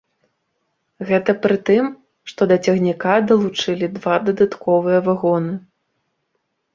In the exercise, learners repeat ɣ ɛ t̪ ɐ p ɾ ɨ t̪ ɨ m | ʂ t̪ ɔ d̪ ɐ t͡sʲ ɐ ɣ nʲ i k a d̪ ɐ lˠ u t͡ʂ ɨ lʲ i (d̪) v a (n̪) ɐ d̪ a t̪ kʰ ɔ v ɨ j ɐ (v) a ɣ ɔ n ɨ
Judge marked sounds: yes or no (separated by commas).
yes, no, yes